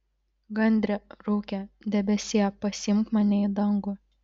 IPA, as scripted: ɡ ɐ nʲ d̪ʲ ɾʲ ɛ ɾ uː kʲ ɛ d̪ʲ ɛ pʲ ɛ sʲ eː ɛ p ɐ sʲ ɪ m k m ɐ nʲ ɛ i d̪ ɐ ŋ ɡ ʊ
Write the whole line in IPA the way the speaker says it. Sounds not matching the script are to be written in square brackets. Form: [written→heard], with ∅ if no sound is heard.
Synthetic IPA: ɡ ɐ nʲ d̪ʲ ɾʲ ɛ ɾ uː kʲ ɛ d̪ʲ ɛ [pʲ→bʲ] ɛ sʲ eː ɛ p ɐ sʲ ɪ m k m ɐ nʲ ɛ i d̪ ɐ ŋ ɡ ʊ